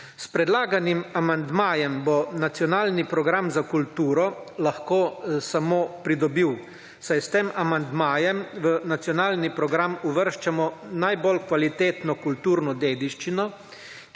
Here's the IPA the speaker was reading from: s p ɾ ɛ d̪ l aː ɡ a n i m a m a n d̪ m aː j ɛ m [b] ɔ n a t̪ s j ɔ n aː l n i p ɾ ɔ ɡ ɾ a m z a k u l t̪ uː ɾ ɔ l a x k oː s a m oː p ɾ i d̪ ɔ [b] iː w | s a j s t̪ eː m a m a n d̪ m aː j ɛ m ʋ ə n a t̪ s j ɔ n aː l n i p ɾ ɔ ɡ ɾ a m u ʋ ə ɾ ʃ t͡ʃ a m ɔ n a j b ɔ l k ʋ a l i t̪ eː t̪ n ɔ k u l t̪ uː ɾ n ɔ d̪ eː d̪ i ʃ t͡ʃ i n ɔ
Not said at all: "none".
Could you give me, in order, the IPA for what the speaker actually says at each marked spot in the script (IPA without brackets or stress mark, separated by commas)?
b, b